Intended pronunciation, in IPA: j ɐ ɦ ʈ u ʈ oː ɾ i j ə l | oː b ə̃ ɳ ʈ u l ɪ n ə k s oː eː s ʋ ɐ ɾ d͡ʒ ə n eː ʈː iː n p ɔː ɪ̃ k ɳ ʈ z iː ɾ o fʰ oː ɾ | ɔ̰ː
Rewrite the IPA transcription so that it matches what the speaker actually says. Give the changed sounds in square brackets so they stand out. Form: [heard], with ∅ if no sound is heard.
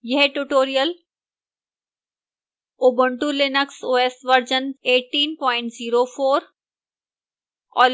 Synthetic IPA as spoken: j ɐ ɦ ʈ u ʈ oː ɾ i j ə l | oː b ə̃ ɳ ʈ u l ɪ n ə k s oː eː s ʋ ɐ ɾ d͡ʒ ə n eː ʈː iː n p ɔː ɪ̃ [∅] ɳ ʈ z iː ɾ o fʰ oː ɾ | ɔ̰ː